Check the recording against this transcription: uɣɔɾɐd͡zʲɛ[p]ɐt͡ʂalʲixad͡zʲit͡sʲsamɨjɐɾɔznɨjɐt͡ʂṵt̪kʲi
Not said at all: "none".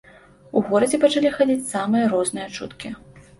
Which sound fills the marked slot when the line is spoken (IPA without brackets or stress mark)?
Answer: p